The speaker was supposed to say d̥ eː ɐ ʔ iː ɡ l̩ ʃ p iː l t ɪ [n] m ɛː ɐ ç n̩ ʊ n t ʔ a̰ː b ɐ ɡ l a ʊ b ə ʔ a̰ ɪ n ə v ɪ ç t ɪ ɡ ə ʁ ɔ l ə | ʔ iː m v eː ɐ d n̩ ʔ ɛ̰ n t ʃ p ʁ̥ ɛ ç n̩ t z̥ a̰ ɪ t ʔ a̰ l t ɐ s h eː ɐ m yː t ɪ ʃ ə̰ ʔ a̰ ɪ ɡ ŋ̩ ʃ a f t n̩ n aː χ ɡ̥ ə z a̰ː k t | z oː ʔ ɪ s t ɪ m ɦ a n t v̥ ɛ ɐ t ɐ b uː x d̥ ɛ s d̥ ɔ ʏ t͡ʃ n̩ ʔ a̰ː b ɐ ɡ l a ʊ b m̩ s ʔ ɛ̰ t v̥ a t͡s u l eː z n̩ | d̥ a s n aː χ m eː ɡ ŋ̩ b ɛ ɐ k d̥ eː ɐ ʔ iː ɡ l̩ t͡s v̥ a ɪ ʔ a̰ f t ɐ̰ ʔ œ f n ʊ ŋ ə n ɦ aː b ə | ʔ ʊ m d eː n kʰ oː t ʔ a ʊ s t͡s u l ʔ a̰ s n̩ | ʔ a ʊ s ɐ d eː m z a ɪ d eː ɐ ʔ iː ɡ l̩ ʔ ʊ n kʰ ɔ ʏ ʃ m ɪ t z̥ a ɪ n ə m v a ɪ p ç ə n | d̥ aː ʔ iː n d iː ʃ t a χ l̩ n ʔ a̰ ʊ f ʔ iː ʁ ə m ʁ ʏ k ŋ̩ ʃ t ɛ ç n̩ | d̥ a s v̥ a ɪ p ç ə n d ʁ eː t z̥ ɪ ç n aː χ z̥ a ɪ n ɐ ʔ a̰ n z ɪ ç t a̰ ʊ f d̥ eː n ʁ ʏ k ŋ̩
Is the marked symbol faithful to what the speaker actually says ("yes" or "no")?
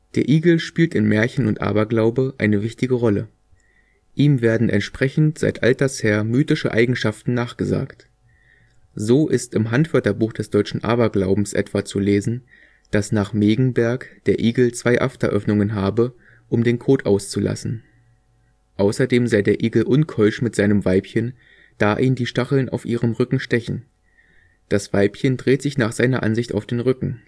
yes